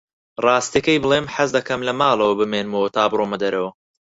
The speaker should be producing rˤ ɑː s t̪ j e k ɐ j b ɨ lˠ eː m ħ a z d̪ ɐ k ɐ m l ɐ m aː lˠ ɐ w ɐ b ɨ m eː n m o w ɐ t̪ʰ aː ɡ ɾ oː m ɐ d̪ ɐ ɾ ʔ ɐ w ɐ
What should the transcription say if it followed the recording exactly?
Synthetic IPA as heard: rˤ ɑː s t̪ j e k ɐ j b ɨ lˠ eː m ħ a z d̪ ɐ k ɐ m l ɐ m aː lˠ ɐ w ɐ b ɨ m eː n m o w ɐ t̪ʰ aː b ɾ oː m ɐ d̪ ɐ ɾ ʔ ɐ w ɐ